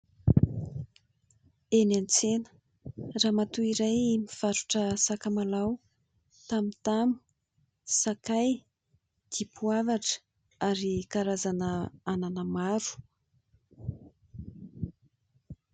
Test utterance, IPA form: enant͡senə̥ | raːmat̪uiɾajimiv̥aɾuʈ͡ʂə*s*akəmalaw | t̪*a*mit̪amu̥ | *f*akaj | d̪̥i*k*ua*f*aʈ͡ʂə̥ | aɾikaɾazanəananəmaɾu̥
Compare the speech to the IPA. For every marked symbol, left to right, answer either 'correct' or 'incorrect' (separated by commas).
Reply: correct, correct, incorrect, incorrect, incorrect